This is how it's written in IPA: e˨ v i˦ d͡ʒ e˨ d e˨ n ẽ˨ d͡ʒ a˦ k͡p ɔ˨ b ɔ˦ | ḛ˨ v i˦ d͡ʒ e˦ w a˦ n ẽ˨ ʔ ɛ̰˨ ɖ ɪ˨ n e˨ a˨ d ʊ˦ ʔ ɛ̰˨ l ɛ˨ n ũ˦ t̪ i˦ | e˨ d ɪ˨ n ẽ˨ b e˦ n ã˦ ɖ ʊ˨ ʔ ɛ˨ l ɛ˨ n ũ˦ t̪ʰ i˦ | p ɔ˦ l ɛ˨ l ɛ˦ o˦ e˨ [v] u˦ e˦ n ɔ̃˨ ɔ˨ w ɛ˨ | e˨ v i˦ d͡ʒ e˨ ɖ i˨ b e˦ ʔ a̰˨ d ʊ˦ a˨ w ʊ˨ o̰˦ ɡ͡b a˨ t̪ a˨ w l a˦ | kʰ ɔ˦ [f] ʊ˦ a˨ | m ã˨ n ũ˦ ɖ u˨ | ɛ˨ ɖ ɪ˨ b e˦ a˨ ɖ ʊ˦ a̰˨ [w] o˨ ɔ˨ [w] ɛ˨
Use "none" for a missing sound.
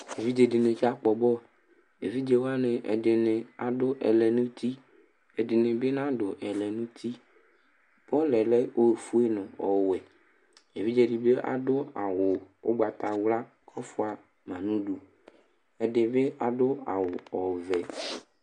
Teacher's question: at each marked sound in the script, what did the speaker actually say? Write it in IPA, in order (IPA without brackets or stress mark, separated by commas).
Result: f, f, w, v